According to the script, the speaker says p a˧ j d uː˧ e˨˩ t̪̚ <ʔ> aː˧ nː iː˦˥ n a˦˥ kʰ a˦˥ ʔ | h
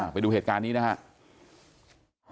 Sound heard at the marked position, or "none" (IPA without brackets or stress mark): k